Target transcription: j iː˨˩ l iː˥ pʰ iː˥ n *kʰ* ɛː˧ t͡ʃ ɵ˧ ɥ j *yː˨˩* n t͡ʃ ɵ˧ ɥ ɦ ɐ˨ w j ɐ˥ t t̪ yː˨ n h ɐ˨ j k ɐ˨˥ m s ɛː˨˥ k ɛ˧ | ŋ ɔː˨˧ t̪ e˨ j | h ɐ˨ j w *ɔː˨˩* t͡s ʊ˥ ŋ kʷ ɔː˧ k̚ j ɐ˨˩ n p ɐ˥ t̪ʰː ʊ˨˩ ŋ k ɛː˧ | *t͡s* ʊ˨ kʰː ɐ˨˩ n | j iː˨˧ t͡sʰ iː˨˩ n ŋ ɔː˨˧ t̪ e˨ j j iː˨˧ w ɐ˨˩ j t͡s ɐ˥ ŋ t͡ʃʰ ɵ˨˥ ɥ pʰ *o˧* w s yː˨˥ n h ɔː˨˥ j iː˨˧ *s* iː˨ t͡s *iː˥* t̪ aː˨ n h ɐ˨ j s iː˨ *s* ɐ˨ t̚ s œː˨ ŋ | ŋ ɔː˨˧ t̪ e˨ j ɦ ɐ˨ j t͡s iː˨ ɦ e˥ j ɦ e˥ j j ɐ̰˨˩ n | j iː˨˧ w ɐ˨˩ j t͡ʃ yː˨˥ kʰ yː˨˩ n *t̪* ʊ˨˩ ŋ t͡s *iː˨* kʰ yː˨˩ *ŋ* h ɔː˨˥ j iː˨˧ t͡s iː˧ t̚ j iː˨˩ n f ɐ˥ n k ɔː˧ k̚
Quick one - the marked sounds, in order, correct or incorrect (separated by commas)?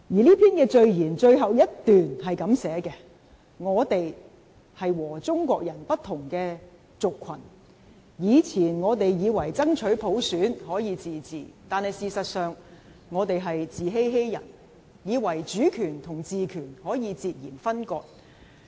incorrect, incorrect, correct, correct, incorrect, incorrect, incorrect, correct, incorrect, correct, incorrect